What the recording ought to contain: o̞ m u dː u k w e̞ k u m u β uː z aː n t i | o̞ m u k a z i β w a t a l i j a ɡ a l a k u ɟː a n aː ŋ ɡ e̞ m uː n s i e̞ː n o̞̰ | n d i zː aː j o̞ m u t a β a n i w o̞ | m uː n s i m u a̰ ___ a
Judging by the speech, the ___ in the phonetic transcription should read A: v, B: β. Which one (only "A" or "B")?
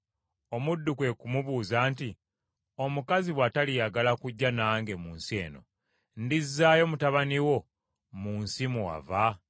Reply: A